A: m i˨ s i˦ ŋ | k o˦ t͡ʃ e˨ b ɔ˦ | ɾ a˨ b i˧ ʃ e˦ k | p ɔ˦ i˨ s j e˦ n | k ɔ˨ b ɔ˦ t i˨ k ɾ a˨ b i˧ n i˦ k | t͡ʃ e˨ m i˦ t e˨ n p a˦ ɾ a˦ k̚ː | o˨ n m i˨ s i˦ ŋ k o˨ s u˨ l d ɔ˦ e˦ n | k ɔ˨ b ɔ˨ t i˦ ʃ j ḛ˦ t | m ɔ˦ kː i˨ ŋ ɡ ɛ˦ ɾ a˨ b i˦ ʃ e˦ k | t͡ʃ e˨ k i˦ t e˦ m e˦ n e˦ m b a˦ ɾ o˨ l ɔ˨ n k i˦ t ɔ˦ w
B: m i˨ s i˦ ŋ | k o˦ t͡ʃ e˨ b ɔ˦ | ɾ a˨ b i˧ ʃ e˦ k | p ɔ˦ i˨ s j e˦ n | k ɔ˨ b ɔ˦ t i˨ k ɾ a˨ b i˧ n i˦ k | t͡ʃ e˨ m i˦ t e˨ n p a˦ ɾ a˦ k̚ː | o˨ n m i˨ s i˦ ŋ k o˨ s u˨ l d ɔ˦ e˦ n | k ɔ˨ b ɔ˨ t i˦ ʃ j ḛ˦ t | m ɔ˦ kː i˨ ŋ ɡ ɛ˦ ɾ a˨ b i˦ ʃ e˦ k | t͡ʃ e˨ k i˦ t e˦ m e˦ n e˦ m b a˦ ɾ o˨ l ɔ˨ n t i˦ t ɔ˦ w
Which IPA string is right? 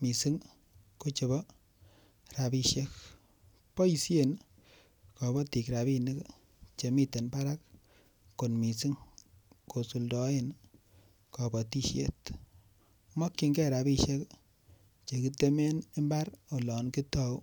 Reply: A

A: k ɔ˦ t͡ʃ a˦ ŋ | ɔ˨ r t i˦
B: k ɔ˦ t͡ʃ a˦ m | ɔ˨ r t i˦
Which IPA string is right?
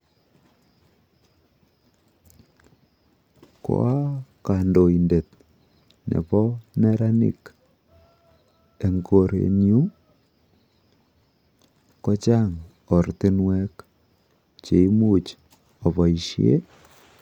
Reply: A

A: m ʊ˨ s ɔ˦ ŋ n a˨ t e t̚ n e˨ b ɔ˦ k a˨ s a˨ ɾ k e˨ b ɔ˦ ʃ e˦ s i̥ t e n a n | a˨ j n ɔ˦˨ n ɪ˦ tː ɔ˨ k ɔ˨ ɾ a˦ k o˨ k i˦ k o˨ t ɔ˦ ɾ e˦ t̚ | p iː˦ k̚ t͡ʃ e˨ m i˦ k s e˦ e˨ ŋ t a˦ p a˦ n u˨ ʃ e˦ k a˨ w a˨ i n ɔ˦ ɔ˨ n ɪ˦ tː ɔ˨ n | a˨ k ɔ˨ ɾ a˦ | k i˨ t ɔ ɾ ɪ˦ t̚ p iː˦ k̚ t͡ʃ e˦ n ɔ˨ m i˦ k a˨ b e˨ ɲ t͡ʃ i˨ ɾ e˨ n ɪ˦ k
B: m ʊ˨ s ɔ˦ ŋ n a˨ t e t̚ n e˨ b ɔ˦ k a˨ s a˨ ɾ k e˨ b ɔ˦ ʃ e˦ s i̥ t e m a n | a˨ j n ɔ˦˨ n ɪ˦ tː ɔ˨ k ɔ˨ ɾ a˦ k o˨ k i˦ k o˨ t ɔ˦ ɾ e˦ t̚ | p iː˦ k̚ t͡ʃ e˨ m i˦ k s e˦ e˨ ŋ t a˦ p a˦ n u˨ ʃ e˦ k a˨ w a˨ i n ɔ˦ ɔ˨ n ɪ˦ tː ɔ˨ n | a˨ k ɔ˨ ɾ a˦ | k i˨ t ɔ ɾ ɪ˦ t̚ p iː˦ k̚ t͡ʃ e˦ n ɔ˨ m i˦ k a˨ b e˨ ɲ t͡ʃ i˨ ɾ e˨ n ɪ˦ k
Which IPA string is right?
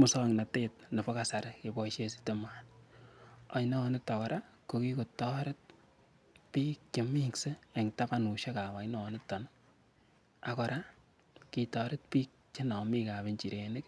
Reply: B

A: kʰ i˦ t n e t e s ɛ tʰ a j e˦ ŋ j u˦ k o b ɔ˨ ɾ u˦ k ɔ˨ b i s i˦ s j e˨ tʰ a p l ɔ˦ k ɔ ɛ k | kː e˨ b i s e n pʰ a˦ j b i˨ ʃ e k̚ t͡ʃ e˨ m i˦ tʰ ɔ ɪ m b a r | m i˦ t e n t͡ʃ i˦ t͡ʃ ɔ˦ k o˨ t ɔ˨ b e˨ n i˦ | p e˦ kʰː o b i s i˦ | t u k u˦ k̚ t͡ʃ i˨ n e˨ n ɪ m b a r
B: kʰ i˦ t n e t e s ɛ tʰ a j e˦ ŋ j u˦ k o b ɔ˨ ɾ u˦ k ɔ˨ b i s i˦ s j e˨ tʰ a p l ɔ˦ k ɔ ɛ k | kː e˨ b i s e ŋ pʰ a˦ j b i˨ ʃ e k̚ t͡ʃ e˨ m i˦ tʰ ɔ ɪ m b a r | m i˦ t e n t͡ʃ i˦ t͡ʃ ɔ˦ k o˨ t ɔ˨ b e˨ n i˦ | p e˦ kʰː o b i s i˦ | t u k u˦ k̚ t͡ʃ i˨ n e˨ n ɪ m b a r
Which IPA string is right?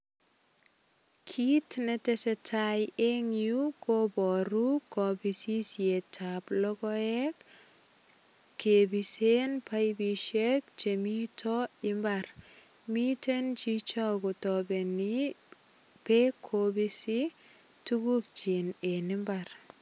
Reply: A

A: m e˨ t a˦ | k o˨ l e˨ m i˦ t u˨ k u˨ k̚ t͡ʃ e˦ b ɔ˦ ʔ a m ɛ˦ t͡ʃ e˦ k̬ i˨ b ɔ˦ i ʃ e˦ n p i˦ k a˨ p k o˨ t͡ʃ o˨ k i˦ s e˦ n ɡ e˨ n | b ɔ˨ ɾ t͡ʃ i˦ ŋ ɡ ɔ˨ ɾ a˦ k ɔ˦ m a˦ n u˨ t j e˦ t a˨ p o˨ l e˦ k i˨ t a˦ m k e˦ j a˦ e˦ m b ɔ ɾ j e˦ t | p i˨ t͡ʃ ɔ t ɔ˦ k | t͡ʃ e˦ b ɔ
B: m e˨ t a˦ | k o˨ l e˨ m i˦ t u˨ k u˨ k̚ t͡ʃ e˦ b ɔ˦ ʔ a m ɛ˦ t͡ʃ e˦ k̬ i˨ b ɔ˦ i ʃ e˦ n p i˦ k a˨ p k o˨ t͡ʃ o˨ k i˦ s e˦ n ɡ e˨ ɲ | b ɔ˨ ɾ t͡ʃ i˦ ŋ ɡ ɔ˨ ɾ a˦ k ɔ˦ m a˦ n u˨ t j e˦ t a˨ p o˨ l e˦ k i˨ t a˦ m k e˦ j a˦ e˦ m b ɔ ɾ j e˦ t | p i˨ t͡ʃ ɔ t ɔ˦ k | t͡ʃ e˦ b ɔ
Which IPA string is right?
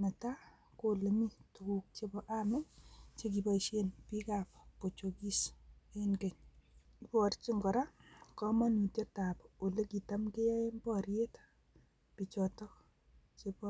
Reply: B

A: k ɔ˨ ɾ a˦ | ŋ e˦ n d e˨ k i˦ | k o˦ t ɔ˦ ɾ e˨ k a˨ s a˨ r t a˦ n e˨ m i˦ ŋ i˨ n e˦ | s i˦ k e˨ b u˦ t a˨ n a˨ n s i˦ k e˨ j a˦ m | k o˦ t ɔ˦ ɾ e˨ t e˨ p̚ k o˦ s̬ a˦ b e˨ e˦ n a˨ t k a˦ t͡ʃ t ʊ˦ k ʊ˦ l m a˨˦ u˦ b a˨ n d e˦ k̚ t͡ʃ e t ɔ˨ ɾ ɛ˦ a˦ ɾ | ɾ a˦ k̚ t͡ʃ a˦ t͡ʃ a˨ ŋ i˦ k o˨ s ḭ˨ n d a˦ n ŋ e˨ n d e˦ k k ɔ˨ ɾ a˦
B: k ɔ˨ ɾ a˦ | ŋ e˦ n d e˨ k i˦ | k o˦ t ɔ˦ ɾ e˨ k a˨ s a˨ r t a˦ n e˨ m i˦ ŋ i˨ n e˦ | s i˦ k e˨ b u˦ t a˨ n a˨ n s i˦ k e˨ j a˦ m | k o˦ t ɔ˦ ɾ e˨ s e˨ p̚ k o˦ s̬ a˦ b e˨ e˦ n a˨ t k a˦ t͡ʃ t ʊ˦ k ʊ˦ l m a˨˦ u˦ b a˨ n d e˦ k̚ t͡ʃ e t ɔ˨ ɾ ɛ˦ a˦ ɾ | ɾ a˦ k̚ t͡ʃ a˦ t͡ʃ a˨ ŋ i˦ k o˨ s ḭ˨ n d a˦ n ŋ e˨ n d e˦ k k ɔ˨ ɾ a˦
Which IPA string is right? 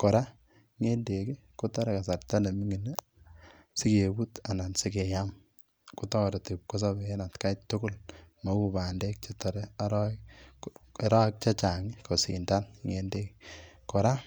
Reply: A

